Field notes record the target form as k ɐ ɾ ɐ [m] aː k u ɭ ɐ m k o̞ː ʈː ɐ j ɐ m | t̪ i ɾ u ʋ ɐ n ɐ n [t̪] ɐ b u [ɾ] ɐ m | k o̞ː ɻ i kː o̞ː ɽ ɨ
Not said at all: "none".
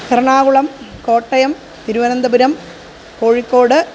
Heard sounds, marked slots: ɳ, d̪, ɾ

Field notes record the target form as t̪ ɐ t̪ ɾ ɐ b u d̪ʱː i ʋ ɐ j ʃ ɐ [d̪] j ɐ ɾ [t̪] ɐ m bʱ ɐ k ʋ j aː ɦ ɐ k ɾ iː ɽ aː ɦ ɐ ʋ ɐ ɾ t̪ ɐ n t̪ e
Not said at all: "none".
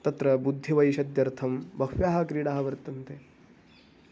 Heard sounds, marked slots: d̪, t̪ʰ

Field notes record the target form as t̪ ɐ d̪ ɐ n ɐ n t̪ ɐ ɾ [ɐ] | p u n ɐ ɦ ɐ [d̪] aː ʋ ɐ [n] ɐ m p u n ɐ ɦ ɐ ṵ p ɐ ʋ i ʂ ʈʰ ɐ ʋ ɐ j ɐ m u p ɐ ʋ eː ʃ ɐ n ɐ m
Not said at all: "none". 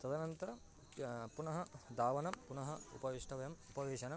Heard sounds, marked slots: ɐ, d̪, n

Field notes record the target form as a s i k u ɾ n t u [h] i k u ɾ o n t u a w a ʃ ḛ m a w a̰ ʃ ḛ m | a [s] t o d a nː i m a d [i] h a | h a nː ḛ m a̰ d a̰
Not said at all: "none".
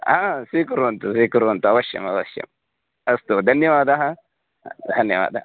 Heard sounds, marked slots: s, s, a

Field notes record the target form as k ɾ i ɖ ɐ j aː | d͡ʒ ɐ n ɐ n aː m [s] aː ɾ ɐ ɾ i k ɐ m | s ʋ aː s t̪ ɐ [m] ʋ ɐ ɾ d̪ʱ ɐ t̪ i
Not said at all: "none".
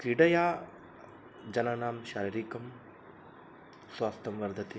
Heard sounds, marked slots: ʃ, m

